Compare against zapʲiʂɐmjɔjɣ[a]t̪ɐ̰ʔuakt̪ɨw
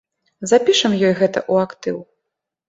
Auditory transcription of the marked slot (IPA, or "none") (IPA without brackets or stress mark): ɛ